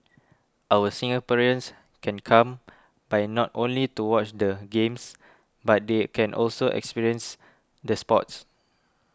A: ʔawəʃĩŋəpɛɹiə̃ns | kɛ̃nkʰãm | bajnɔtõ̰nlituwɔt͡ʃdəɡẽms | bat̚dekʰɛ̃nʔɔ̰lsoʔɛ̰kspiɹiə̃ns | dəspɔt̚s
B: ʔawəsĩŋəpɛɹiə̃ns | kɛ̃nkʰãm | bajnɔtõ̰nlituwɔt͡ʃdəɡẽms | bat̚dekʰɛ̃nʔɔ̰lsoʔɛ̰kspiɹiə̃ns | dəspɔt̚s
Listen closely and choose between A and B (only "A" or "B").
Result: B